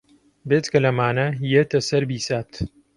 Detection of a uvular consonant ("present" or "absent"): absent